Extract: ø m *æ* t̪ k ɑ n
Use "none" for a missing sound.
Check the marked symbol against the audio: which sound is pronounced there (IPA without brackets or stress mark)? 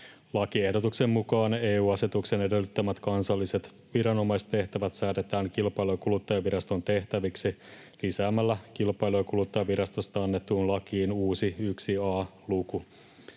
æ